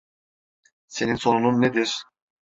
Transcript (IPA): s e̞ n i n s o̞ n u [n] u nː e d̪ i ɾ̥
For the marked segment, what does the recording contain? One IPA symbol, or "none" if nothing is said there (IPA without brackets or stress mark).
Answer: n